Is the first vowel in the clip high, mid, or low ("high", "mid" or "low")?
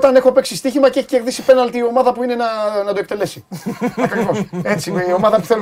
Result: low